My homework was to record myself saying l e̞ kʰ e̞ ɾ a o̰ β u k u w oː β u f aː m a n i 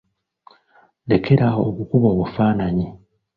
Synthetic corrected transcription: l e̞ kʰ e̞ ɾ a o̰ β u k u β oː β u f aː n a ɲ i